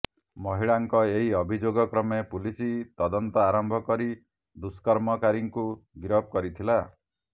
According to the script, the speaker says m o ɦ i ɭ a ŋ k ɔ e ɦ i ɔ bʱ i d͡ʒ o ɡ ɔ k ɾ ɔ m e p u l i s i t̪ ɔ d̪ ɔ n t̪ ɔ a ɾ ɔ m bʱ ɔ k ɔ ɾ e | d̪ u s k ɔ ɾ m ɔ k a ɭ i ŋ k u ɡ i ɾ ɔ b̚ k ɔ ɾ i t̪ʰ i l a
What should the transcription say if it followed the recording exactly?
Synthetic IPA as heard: m ɔ ɦ i ɭ a ŋ k ɔ e ɦ i ɔ bʱ i d͡ʒ o ɡ ɔ k ɾ ɔ m e p u l i s i t̪ ɔ d̪ ɔ n t̪ ɔ a ɾ ɔ m bʱ ɔ k ɔ ɾ i | d̪ u s k ɔ ɾ m ɔ k a ɾ i ŋ k u ɡ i ɾ ɔ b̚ k ɔ ɾ i t̪ʰ i l a